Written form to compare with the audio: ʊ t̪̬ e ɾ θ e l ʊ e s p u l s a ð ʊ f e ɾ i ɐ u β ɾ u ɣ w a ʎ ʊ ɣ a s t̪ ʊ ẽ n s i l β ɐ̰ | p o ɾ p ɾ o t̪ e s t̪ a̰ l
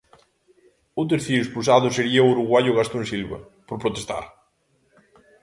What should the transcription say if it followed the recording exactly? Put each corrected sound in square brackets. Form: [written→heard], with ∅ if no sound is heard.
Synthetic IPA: ʊ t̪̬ e ɾ θ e [l→ɾ] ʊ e s p u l s a ð ʊ [f→s] e ɾ i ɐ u [β→∅] ɾ u ɣ w a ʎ ʊ ɣ a s t̪ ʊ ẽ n s i l β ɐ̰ | p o ɾ p ɾ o t̪ e s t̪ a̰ [l→ɾ]